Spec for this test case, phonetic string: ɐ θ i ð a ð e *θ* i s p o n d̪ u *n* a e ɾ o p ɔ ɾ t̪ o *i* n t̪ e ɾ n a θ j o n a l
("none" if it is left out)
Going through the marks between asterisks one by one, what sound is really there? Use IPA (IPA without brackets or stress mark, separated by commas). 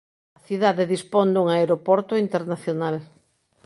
ð, ŋ, i